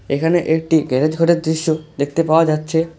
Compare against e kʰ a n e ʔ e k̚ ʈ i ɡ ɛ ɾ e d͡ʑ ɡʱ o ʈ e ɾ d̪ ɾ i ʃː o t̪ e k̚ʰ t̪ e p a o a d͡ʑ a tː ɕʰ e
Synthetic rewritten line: e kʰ a n e ʔ e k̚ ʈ i ɡ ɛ ɾ e d͡ʑ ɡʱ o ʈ e ɾ d̪ ɾ i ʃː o d̪ e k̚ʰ t̪ e p a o a d͡ʑ a tː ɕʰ e